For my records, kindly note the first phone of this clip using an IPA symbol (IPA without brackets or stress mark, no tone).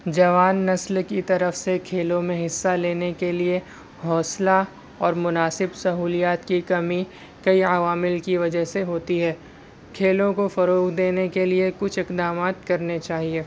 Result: d͡ʒ